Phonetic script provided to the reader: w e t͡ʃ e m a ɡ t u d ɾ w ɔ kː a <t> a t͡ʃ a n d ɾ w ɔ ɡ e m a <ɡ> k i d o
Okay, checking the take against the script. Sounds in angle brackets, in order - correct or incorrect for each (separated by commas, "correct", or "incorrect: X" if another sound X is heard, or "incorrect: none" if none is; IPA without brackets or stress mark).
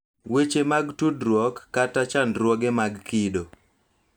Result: correct, correct